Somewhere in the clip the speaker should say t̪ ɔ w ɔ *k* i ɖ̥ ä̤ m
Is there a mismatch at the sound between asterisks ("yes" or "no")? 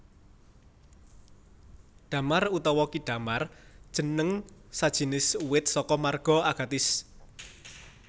no